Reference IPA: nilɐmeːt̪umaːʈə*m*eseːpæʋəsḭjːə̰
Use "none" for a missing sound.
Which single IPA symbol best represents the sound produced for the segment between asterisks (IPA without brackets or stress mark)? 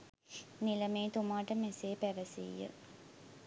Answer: m